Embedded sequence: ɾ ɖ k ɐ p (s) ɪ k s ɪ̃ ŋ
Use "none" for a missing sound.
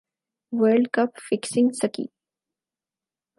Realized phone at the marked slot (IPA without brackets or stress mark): f